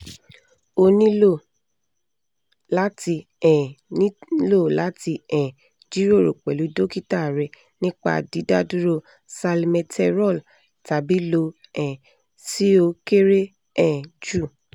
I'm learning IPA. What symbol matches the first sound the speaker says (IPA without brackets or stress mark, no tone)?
o